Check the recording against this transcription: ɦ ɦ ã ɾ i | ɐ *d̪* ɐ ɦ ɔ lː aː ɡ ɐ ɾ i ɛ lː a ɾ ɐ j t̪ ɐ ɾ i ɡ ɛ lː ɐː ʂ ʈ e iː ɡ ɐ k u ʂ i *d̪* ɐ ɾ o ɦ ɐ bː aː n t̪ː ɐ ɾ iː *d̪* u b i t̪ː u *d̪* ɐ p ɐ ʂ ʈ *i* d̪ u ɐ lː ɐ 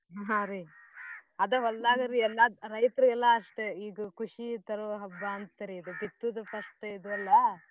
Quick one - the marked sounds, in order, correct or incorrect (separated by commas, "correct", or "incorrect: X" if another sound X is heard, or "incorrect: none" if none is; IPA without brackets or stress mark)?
correct, incorrect: t̪, correct, correct, correct